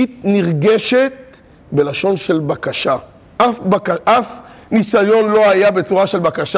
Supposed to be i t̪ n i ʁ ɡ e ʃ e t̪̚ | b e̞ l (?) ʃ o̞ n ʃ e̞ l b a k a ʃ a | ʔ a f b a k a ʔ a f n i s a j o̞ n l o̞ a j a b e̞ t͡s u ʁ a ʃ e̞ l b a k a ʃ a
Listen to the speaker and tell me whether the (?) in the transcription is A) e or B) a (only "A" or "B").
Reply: B